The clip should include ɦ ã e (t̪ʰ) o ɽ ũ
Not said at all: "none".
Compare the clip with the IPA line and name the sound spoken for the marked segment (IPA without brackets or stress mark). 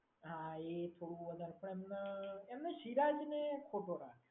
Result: t̪ʰ